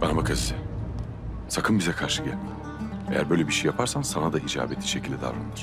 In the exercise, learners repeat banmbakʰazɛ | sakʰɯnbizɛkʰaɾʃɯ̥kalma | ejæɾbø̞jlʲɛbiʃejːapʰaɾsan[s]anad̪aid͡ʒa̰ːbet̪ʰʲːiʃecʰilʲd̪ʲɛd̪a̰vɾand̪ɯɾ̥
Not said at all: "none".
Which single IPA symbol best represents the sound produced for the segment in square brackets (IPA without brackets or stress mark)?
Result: s